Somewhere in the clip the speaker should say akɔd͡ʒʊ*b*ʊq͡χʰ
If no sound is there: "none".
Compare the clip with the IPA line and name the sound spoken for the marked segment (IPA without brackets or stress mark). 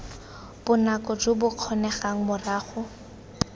b